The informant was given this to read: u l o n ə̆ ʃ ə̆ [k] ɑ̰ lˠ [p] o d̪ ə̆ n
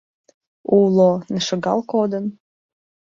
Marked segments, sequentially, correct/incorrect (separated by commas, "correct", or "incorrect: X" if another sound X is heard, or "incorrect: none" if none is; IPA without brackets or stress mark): incorrect: ɡ, incorrect: k